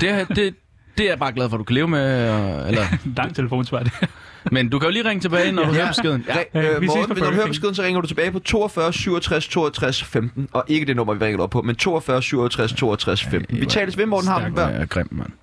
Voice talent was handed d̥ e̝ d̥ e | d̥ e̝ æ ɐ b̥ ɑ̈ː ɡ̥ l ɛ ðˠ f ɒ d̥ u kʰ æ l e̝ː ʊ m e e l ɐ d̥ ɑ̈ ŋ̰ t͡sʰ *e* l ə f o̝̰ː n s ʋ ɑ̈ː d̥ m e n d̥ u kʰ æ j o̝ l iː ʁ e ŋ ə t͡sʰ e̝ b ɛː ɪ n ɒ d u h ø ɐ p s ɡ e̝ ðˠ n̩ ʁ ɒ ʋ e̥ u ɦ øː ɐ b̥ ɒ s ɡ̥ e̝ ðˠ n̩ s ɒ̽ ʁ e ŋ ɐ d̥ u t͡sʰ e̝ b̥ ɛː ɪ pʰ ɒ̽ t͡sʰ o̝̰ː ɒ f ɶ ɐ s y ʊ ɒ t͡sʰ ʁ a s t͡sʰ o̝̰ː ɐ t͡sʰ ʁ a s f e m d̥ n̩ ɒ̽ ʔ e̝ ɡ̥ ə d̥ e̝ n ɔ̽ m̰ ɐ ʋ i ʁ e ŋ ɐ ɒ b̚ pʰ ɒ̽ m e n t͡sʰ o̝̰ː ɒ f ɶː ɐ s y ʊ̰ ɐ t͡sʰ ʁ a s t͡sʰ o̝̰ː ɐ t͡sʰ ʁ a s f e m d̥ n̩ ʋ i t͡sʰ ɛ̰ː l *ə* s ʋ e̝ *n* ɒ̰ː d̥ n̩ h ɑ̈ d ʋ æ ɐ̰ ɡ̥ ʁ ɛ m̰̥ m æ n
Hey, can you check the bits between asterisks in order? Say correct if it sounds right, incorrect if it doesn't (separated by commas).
correct, correct, incorrect